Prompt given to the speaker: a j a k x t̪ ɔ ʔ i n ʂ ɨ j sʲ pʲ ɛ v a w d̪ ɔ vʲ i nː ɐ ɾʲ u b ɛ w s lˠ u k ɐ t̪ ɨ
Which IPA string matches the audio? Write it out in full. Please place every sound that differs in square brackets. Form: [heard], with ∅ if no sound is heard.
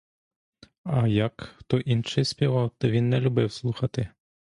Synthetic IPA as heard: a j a k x t̪ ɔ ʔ i n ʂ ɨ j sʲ pʲ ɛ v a w [t̪] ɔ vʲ i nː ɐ [lʲ] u b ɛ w s lˠ u [x] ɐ t̪ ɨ